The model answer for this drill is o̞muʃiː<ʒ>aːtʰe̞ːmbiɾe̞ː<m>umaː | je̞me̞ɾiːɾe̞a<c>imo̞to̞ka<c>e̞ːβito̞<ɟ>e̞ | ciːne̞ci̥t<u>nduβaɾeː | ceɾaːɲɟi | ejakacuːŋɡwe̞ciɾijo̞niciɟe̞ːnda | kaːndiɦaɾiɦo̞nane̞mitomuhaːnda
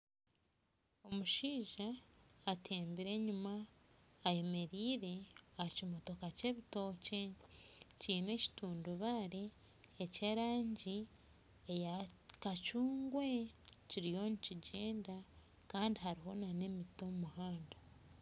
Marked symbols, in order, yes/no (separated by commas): yes, no, yes, yes, no, no